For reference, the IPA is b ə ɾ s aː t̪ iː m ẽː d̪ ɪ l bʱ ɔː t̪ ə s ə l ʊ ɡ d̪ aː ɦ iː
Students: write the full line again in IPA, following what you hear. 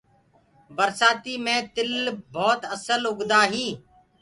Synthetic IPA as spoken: b ə ɾ s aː t̪ iː m ẽː t̪ ɪ l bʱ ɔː t̪ ə s ə l ʊ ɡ d̪ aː ɦ iː